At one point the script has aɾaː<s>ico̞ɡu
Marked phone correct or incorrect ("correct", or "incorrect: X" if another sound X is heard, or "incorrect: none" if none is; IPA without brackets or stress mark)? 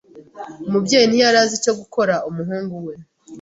incorrect: z